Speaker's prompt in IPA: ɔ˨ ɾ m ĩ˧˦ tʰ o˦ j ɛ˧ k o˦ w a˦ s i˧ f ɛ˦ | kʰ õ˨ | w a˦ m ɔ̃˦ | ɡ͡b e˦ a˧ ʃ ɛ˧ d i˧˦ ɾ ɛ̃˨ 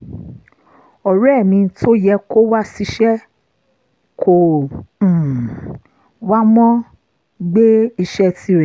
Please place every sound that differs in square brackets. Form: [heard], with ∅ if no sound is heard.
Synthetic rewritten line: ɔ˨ ɾ m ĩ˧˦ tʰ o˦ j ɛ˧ k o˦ w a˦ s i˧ [ʃ] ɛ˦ | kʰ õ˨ | w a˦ m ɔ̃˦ | ɡ͡b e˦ [i˧] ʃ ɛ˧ [t] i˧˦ ɾ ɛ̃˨